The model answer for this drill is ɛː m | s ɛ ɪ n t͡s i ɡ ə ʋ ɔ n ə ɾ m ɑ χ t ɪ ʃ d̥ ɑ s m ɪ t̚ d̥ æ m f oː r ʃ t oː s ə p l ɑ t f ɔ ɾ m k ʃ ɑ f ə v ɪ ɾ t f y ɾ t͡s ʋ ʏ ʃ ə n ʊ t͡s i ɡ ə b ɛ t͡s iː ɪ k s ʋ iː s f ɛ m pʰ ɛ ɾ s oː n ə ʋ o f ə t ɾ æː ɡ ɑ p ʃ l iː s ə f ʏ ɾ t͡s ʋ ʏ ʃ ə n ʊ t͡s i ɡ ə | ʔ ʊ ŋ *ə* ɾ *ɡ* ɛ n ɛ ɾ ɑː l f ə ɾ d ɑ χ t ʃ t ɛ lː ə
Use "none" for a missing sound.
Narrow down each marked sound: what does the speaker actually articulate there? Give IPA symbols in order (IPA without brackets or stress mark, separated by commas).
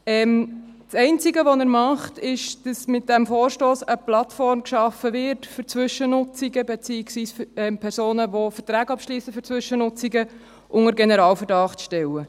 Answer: ə, ɡ